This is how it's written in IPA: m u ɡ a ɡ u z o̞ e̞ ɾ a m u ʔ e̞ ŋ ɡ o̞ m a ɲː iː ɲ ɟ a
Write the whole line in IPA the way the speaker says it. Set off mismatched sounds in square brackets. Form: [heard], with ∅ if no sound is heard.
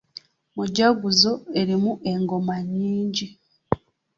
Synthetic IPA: m u [ɟ] a ɡ u z o̞ e̞ ɾ [i] m u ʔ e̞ ŋ ɡ o̞ m a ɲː iː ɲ ɟ [i]